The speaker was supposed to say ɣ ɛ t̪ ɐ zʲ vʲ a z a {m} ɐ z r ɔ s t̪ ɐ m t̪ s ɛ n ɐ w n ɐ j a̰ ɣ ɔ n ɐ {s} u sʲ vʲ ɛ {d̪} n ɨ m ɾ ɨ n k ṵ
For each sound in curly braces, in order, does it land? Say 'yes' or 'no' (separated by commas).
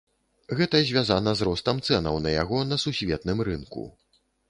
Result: no, yes, no